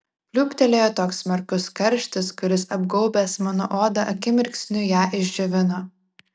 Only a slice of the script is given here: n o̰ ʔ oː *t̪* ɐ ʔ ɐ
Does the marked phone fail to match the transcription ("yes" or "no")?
yes